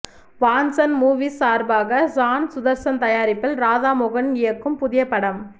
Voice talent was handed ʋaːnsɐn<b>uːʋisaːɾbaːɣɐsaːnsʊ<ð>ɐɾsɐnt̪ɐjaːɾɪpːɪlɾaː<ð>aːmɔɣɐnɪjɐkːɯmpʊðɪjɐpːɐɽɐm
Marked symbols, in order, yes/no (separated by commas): no, yes, yes